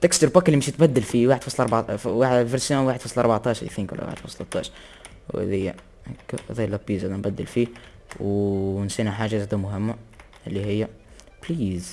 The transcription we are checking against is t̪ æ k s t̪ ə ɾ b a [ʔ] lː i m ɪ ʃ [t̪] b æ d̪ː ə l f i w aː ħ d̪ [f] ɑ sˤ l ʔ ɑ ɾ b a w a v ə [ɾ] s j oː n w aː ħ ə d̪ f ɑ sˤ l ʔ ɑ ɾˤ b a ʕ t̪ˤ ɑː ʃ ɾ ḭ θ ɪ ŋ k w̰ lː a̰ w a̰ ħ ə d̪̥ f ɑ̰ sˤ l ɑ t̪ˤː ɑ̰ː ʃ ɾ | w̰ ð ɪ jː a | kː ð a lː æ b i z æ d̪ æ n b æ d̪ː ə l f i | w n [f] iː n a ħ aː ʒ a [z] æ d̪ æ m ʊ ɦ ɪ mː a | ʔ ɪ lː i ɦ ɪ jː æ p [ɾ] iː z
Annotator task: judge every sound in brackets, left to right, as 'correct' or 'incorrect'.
incorrect: k, correct, correct, correct, incorrect: s, correct, incorrect: l

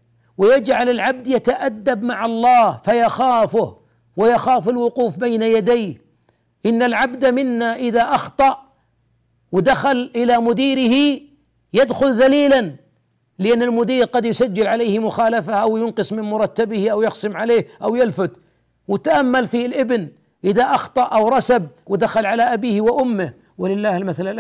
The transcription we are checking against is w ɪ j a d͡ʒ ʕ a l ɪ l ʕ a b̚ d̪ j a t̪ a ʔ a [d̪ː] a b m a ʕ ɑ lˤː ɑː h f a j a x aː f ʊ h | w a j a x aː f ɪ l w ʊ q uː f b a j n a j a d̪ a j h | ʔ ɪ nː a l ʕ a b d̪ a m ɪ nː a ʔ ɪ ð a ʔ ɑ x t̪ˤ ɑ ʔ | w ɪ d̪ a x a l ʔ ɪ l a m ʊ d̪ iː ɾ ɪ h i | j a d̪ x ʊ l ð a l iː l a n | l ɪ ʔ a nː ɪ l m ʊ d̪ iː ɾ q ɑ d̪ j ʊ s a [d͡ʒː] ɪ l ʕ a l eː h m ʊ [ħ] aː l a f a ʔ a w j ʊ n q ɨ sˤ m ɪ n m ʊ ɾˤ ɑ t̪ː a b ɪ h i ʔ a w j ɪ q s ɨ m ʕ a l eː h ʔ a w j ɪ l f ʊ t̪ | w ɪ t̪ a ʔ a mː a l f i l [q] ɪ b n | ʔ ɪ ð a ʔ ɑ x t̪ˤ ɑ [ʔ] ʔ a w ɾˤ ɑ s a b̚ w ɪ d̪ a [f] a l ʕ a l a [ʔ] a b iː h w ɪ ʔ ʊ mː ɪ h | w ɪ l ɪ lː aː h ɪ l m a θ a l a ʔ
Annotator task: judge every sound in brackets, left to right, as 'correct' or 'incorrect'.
correct, correct, incorrect: x, incorrect: ʔ, correct, incorrect: x, correct

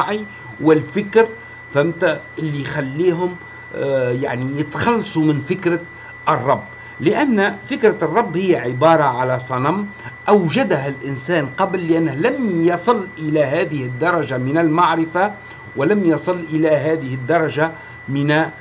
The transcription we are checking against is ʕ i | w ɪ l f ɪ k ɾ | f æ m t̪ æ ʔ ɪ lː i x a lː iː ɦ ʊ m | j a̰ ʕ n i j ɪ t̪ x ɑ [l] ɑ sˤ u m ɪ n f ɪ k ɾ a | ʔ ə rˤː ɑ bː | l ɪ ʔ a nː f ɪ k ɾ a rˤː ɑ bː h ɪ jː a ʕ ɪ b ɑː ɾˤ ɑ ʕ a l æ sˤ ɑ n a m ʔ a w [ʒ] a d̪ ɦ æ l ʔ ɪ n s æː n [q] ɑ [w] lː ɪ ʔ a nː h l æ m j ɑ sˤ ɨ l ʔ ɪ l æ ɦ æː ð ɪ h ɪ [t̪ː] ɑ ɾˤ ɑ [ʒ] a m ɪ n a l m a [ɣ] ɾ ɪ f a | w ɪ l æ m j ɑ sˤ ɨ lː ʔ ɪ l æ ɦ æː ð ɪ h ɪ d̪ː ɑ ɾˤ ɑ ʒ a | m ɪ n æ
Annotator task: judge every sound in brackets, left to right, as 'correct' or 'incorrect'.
incorrect: lː, correct, correct, incorrect: b, incorrect: d̪ː, correct, incorrect: ʕ

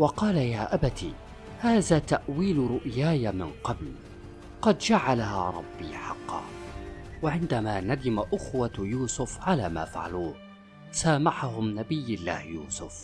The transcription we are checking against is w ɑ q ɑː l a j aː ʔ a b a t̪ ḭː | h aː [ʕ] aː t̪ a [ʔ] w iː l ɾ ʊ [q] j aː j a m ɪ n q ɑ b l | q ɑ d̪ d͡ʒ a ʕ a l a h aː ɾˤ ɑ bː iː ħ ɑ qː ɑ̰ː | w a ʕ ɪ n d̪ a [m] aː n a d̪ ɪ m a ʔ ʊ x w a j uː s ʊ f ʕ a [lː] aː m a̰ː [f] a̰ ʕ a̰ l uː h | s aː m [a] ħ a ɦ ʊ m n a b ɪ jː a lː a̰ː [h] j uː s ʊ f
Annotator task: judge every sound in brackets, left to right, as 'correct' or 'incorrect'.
incorrect: ð, correct, incorrect: ʔ, correct, incorrect: l, correct, correct, correct

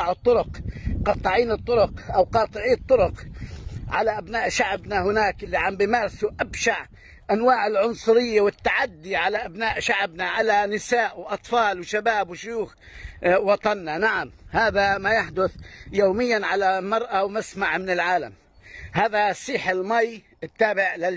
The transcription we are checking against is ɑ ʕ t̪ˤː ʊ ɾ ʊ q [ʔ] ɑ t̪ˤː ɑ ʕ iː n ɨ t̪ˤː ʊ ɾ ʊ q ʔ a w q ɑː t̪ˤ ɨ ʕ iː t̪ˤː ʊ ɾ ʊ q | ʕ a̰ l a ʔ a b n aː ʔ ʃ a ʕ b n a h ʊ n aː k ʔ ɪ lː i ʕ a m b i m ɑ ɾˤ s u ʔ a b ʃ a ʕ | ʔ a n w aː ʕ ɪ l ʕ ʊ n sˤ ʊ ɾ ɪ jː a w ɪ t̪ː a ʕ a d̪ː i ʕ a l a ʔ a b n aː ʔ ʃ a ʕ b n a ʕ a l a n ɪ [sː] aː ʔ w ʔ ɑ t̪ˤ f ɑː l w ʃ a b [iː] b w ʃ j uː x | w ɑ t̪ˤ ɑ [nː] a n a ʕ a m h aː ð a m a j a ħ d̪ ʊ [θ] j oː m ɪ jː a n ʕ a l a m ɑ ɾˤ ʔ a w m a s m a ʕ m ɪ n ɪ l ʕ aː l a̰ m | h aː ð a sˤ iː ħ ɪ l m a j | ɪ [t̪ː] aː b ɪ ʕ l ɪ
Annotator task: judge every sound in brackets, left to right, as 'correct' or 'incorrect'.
incorrect: q, incorrect: s, incorrect: aː, correct, correct, correct

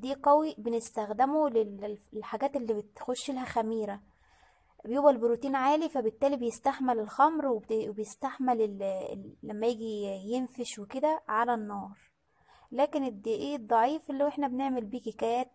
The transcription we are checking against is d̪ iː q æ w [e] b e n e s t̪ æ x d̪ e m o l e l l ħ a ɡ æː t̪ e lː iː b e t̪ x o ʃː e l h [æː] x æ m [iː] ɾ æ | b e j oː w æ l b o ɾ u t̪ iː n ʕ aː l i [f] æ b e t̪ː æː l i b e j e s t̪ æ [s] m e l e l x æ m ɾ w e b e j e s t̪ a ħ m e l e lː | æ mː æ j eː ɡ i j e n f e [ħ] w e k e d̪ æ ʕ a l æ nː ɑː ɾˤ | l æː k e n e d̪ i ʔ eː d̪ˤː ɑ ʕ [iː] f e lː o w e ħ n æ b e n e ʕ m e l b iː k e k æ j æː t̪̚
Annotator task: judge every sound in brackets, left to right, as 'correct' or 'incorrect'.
incorrect: i, incorrect: æ, correct, correct, incorrect: ħ, incorrect: ʃ, correct

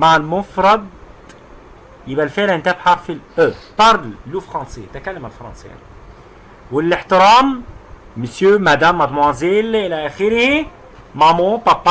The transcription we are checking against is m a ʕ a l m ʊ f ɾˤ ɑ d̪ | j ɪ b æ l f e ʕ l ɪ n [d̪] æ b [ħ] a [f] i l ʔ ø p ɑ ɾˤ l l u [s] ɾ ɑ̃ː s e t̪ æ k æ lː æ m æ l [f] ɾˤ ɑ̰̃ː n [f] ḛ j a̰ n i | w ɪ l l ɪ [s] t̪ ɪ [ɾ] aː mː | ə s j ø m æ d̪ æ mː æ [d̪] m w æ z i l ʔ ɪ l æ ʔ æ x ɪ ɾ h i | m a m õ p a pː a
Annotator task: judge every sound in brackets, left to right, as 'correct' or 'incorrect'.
incorrect: t̪, correct, correct, incorrect: f, correct, incorrect: s, incorrect: ħ, correct, correct

